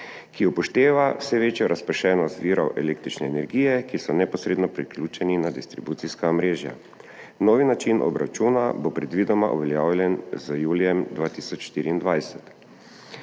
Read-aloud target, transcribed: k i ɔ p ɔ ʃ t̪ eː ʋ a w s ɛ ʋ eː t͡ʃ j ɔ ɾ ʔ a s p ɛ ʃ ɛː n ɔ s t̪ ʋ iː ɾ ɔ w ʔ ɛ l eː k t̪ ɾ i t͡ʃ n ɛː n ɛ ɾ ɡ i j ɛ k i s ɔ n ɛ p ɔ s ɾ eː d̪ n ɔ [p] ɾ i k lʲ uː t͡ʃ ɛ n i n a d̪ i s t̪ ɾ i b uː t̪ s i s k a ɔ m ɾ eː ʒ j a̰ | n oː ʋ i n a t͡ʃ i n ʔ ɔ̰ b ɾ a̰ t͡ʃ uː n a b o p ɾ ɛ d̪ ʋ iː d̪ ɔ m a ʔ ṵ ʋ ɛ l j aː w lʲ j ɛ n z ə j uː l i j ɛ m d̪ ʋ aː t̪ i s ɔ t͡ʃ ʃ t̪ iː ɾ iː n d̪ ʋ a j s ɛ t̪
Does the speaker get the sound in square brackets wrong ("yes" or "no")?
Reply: no